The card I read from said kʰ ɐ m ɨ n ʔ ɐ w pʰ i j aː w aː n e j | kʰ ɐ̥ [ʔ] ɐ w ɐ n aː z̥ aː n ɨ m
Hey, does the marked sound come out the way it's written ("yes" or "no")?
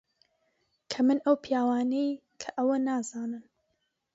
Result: yes